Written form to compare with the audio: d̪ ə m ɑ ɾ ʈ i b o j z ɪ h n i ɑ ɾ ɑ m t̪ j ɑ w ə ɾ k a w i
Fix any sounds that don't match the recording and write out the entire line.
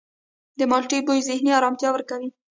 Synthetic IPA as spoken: d̪ ə m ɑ l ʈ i b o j z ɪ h n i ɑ ɾ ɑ m t̪ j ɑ w ə ɾ k a w i